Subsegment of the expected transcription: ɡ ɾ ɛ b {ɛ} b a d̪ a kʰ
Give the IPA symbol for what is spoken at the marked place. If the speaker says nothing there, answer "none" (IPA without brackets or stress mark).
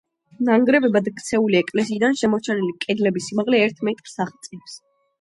ɛ